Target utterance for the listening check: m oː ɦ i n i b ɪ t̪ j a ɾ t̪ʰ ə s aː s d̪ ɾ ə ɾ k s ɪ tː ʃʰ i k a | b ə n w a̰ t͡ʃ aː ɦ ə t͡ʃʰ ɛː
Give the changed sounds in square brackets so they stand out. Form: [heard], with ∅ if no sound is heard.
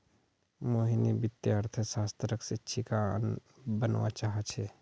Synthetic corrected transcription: m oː ɦ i n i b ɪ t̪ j a ɾ t̪ʰ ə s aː s [t̪] ɾ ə [∅] k s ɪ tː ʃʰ i k a | b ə n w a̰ t͡ʃ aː ɦ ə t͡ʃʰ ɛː